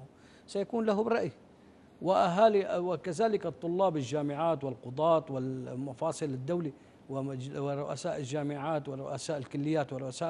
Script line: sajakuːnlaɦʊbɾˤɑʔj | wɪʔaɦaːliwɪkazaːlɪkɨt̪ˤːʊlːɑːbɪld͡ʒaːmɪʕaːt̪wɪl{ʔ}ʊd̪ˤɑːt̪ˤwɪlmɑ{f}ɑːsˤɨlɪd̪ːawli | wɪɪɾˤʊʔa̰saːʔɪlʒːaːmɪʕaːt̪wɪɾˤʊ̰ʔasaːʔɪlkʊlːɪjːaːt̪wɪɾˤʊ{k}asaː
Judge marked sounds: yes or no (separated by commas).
no, yes, no